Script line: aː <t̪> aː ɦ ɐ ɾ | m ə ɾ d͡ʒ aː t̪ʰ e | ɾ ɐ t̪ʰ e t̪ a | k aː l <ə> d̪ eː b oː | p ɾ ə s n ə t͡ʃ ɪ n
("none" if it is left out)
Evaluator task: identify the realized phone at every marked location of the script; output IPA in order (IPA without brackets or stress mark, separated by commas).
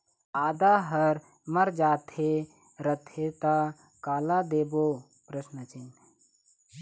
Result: d̪, a